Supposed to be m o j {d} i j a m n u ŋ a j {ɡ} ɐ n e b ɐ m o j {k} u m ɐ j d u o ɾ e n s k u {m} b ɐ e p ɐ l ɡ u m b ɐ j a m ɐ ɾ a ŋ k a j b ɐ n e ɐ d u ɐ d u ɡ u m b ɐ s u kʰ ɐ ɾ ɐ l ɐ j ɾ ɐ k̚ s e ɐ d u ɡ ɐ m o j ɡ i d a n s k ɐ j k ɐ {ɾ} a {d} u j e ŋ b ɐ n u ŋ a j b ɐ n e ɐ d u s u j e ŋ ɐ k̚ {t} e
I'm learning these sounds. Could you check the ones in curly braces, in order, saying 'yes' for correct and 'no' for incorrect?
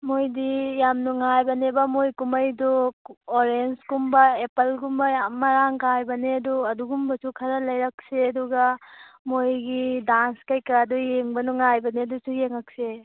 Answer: yes, no, yes, yes, yes, yes, no

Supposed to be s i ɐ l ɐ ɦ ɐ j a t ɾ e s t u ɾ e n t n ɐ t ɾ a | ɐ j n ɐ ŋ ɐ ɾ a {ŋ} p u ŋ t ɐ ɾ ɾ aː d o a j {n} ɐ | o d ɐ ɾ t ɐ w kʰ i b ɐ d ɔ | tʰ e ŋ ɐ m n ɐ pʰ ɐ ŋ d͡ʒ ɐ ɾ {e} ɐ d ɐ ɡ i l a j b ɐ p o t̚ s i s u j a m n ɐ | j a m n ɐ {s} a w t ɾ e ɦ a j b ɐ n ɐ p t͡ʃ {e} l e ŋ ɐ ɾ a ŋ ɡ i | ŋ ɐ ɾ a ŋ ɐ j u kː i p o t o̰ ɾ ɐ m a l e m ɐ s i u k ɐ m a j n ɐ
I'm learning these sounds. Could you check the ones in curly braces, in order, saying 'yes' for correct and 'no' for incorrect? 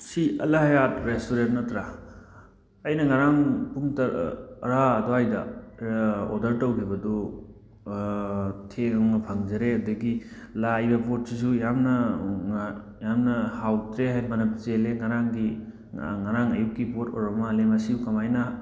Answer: yes, no, yes, no, yes

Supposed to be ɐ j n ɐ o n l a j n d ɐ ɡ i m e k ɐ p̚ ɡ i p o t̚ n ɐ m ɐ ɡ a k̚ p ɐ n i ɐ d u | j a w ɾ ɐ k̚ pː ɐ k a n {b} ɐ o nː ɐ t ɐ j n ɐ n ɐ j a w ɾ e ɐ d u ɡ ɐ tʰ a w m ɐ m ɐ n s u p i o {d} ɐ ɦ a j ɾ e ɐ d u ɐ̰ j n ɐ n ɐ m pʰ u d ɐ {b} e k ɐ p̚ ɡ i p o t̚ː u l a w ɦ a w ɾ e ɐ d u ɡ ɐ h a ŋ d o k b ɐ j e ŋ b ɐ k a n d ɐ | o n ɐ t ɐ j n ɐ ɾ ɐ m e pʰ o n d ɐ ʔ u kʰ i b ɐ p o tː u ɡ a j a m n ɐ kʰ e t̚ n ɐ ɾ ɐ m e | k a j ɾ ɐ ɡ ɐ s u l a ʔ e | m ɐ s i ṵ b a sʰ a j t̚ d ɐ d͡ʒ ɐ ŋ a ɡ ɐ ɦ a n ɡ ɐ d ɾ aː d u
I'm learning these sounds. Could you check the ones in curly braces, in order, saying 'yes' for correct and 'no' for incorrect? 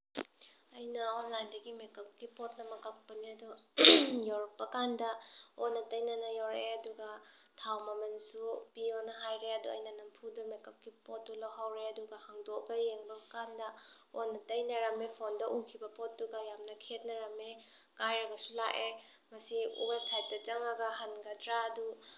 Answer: no, no, no

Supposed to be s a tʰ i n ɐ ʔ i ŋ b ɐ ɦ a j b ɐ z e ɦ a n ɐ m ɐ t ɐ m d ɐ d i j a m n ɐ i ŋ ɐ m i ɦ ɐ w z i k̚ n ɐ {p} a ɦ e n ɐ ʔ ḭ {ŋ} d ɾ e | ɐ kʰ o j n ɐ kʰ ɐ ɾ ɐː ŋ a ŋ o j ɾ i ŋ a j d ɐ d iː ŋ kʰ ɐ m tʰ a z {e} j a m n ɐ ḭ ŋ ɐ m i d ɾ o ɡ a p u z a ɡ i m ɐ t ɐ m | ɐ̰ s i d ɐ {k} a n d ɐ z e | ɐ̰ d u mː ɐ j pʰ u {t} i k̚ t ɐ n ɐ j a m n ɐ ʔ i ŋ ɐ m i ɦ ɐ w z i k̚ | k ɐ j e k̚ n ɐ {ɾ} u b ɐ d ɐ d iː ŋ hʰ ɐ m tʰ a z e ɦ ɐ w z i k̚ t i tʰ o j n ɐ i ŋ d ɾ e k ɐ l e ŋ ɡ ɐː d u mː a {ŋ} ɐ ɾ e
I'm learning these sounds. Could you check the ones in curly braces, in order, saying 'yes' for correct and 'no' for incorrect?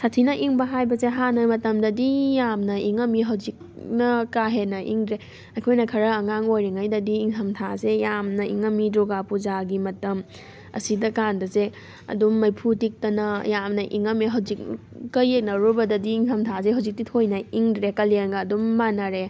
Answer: no, yes, yes, yes, yes, yes, no

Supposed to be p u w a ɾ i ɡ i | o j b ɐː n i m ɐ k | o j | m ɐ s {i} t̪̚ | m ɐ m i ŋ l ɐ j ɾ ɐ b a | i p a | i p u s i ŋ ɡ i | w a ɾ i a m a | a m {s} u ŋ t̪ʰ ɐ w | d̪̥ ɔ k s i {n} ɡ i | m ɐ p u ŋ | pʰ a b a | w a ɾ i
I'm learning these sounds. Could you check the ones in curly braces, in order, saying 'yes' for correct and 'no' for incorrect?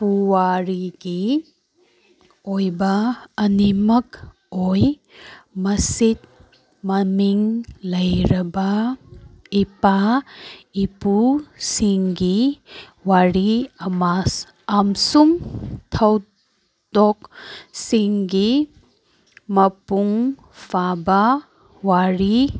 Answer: yes, yes, no

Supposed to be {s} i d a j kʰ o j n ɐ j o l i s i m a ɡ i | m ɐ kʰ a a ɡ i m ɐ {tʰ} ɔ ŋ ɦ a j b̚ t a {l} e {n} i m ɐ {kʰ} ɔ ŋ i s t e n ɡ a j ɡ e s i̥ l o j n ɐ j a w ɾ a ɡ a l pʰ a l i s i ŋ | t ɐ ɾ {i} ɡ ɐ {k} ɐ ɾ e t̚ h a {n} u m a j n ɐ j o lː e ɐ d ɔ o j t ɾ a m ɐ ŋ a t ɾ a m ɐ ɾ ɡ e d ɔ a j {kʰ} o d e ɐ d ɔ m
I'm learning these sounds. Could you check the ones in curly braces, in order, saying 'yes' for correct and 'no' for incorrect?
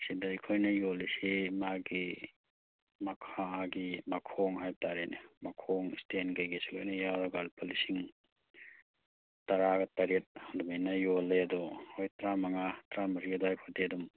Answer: yes, no, no, yes, yes, no, no, no, yes

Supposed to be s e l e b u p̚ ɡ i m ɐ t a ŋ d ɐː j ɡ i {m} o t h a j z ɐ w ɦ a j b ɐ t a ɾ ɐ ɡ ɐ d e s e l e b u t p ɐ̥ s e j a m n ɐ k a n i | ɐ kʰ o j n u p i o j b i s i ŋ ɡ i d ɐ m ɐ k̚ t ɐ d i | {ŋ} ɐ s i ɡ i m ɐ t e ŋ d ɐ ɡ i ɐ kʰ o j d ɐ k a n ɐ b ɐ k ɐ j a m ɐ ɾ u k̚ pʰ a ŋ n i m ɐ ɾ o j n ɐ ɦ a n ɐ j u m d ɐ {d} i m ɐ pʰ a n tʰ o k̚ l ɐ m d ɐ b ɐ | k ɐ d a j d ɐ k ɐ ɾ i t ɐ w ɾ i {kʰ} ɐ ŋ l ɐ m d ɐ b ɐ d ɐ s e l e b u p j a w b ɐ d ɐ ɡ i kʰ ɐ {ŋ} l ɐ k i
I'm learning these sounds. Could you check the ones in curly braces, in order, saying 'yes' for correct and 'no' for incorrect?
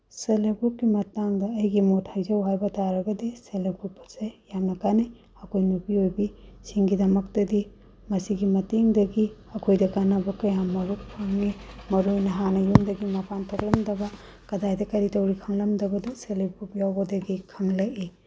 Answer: yes, no, no, yes, yes

